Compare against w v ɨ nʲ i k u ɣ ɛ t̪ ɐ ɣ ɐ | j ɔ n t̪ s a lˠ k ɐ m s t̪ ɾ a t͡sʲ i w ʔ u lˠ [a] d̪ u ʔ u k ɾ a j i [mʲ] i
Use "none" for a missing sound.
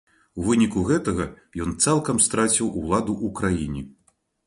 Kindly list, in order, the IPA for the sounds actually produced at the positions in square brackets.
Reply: a, nʲ

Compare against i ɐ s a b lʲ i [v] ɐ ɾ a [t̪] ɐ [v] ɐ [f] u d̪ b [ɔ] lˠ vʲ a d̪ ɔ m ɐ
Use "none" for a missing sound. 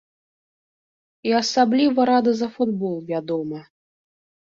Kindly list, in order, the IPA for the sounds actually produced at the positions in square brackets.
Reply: v, d̪, z, f, ɔ

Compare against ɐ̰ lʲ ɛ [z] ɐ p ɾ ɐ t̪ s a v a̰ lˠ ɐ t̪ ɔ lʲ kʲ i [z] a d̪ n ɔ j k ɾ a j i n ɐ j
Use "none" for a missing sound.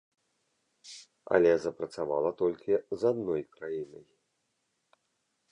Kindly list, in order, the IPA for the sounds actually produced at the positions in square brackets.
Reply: z, z

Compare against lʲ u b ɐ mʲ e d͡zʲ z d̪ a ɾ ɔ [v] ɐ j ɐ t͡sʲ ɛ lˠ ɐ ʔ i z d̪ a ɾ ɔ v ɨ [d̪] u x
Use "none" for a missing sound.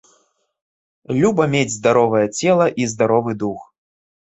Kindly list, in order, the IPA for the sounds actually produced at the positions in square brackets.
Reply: v, d̪

